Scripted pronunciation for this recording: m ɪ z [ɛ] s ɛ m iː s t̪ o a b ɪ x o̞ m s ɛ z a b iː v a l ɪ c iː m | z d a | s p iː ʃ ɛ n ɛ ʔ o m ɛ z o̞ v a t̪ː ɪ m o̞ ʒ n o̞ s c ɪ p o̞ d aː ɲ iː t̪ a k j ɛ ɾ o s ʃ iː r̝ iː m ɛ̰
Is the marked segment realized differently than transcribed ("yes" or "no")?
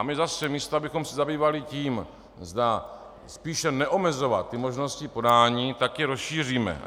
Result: yes